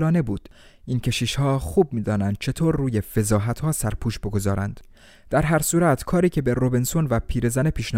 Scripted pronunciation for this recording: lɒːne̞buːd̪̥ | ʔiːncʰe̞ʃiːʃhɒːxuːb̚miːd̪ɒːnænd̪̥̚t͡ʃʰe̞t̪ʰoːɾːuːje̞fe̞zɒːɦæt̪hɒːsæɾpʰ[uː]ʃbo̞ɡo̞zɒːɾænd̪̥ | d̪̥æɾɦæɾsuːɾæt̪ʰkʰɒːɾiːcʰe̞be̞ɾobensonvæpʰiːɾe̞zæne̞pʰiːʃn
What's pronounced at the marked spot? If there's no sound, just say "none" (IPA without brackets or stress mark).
uː